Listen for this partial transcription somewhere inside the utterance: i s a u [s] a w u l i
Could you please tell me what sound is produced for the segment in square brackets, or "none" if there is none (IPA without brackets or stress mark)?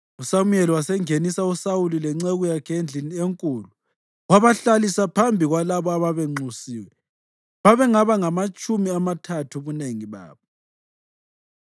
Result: s